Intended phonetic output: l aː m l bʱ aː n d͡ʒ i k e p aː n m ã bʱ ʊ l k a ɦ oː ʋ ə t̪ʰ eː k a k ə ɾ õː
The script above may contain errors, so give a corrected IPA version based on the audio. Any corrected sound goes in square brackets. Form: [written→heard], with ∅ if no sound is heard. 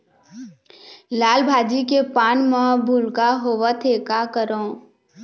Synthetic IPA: l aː [m→∅] l bʱ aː [n→∅] d͡ʒ i k e p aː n m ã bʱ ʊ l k a ɦ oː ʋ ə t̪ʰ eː k a k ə ɾ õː